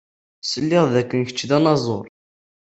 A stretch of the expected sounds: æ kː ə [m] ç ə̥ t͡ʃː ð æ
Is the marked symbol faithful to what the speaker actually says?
no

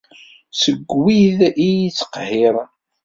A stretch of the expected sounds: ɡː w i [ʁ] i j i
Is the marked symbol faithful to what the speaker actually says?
no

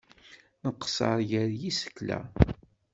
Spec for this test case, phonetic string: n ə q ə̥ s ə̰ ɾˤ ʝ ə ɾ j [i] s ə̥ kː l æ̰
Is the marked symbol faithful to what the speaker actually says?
yes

